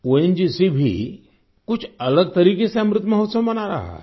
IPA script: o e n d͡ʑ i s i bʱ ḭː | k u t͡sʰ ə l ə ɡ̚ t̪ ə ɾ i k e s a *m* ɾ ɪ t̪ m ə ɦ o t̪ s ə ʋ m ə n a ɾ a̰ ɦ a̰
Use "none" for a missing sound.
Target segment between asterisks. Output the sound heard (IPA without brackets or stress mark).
m